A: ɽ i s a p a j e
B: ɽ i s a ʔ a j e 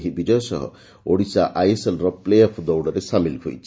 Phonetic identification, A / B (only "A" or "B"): B